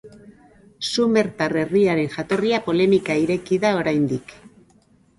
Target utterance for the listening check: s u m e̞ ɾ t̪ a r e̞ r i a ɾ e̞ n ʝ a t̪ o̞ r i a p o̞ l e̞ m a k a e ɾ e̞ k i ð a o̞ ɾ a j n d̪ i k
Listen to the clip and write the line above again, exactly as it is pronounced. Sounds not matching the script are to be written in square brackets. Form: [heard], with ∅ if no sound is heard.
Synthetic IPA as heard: s u m e̞ ɾ t̪ a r e̞ r i a ɾ e̞ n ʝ a t̪ o̞ r i a p o̞ l e̞ m [i] k a [i] ɾ e̞ k i ð a o̞ ɾ a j n d̪ i k

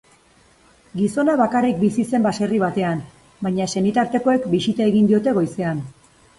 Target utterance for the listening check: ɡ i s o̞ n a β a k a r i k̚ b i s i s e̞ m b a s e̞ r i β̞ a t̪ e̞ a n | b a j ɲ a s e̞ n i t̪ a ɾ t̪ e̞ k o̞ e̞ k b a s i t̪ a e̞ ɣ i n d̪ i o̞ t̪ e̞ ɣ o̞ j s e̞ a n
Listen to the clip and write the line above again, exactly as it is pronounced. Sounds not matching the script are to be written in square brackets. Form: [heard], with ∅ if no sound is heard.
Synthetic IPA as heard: ɡ i s o̞ n a β a k a r i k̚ b i s i s e̞ m b a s e̞ r i β̞ a t̪ e̞ a n | b a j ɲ a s e̞ n i t̪ a ɾ t̪ e̞ k o̞ e̞ k b [i] s i t̪ a e̞ ɣ i n d̪ i o̞ t̪ e̞ ɣ o̞ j s e̞ a n

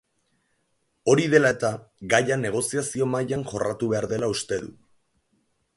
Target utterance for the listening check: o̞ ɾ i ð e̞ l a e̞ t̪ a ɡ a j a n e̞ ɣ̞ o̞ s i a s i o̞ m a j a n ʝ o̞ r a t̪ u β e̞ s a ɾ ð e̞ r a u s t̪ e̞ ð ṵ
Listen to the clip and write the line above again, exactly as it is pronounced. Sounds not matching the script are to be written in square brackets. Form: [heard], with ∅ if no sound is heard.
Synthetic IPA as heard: o̞ ɾ i ð e̞ l a e̞ t̪ a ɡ a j a n e̞ ɣ̞ o̞ s i a s i o̞ m a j a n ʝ o̞ r a t̪ u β e̞ [∅] a ɾ ð e̞ [l] a u s t̪ e̞ ð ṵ

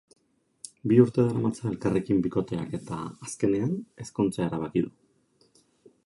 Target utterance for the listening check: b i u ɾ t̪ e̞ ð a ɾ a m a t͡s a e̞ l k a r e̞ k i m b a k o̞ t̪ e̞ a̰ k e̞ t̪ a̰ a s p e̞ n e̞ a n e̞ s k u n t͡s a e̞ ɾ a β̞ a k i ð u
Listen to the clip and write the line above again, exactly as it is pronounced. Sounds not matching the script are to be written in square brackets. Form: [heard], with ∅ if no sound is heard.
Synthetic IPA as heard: b i u ɾ t̪ e̞ ð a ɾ a m a t͡s a e̞ l k a r e̞ k i m b [i] k o̞ t̪ e̞ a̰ k e̞ t̪ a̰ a s [k] e̞ n e̞ a n e̞ s k u n t͡s a e̞ ɾ a β̞ a k i ð u

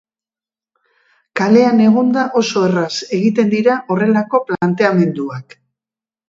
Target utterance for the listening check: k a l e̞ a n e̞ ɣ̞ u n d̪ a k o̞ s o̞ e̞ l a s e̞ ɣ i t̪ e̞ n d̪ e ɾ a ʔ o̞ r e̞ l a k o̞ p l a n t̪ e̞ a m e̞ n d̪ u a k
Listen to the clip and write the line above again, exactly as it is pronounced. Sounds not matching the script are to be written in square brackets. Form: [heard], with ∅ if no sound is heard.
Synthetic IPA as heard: k a l e̞ a n e̞ ɣ̞ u n d̪ a [ʔ] o̞ s o̞ e̞ [r] a s e̞ ɣ i t̪ e̞ n d̪ [i] ɾ a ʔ o̞ r e̞ l a k o̞ p l a n t̪ e̞ a m e̞ n d̪ u a k

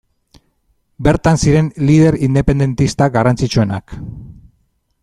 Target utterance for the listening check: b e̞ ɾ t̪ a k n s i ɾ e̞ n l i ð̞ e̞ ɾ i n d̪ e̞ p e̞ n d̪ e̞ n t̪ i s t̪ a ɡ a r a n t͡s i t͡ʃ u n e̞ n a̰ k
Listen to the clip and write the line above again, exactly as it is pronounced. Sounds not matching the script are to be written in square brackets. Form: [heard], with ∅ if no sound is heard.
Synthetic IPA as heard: b e̞ ɾ t̪ a [∅] n s i ɾ e̞ n l i ð̞ e̞ ɾ i n d̪ e̞ p e̞ n d̪ e̞ n t̪ i s t̪ a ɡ a r a n t͡s i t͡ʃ u [∅] e̞ n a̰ k

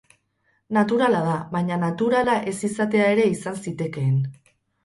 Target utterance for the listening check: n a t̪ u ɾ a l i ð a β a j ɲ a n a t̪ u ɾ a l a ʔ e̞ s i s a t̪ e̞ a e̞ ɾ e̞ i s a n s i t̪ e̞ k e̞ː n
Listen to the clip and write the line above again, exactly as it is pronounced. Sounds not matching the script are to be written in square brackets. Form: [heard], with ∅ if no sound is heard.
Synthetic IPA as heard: n a t̪ u ɾ a l [a] ð a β a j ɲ a n a t̪ u ɾ a l a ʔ e̞ s i s a t̪ e̞ a e̞ ɾ e̞ i s a n s i t̪ e̞ k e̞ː n

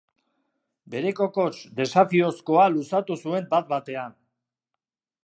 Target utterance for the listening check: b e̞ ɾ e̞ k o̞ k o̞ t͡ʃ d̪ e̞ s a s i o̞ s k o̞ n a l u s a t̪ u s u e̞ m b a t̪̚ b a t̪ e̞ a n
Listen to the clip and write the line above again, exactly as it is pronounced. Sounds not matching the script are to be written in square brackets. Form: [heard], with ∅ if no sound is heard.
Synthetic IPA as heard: b e̞ ɾ e̞ k o̞ k o̞ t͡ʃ d̪ e̞ s a [f] i o̞ s k o̞ [∅] a l u s a t̪ u s u e̞ m b a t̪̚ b a t̪ e̞ a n

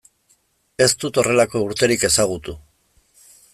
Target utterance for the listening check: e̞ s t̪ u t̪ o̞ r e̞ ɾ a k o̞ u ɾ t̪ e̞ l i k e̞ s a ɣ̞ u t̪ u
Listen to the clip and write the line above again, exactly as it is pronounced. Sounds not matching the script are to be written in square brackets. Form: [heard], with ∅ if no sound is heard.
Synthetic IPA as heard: e̞ s t̪ u t̪ o̞ r e̞ [l] a k o̞ u ɾ t̪ e̞ [ɾ] i k e̞ s a ɣ̞ u t̪ u

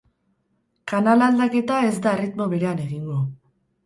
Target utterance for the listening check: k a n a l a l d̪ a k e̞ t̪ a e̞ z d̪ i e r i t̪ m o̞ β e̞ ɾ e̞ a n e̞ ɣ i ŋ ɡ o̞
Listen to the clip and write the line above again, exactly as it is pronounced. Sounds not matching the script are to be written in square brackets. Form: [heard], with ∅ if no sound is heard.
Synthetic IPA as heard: k a n a l a l d̪ a k e̞ t̪ a e̞ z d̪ [a] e r i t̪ m o̞ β e̞ ɾ e̞ a n e̞ ɣ i ŋ ɡ o̞

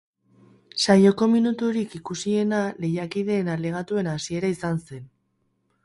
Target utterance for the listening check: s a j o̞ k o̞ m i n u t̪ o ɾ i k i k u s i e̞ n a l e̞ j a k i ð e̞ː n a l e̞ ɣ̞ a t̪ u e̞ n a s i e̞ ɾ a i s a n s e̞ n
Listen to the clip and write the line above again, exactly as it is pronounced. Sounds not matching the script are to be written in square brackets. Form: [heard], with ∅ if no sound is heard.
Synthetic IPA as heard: s a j o̞ k o̞ m i n u t̪ [u] ɾ i k i k u s i e̞ n a l e̞ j a k i ð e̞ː n a l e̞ ɣ̞ a t̪ u e̞ n a s i e̞ ɾ a i s a n s e̞ n

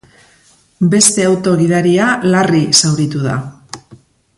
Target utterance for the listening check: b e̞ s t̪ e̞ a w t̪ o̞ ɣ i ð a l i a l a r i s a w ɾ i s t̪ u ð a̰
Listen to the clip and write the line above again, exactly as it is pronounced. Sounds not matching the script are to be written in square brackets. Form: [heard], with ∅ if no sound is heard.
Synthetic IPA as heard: b e̞ s t̪ e̞ a w t̪ o̞ ɣ i ð a [ɾ] i a l a r i s a w ɾ i [∅] t̪ u ð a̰

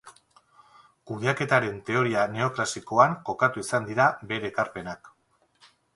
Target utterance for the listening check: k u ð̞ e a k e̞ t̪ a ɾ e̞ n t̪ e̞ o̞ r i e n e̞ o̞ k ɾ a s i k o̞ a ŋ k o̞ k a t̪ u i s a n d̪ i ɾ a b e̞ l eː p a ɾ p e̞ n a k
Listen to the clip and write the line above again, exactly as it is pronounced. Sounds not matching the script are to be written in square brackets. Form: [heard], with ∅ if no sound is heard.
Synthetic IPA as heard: k u ð̞ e a k e̞ t̪ a ɾ e̞ n t̪ e̞ o̞ [ɾ] i [a] n e̞ o̞ k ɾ a s i k o̞ a ŋ k o̞ k a t̪ u i s a n d̪ i ɾ a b e̞ [ɾ] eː [k] a ɾ p e̞ n a k

